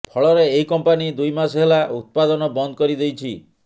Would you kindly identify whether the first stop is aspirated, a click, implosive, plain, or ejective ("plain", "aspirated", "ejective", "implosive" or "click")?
aspirated